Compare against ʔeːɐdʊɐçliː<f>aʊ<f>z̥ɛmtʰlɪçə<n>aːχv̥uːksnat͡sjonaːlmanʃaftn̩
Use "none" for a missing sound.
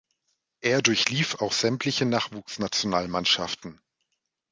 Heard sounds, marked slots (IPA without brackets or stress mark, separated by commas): f, x, n